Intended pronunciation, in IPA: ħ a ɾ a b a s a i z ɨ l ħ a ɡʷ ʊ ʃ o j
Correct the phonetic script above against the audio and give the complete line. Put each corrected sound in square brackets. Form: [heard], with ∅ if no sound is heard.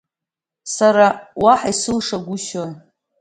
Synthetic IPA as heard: [s] a ɾ a [w] a [ħ] a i [s] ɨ l [ʂ] a ɡʷ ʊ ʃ o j